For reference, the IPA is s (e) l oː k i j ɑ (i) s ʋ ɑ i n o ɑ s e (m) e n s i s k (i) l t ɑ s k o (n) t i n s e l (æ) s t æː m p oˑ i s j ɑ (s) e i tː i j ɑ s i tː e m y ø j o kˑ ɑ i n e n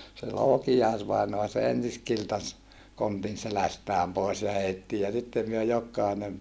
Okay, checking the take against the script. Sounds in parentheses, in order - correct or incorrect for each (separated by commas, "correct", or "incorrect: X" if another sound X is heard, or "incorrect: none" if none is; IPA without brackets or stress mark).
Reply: correct, correct, incorrect: none, correct, correct, correct, incorrect: h